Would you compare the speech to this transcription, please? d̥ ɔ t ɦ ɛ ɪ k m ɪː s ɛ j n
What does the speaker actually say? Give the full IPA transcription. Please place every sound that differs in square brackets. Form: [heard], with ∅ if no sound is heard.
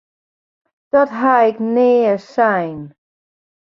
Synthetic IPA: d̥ ɔ t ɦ [a] ɪ k [n] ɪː s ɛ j n